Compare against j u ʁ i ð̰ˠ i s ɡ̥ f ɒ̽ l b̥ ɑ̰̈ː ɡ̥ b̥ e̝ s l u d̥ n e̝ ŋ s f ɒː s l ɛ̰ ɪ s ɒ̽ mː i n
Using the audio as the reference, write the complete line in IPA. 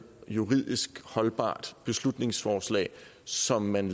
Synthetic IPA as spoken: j u ʁ i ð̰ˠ i s ɡ̥ h ɒ̽ l b̥ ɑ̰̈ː d̥ b̥ e̝ s l u d̥ n e̝ ŋ s f ɒː s l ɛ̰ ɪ s ɒ̽ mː æ n